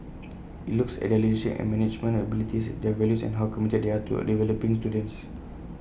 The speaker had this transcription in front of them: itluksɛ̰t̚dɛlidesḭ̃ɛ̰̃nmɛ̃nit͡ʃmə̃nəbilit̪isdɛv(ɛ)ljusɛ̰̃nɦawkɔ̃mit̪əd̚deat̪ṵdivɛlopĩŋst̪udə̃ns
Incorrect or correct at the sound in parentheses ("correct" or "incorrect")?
correct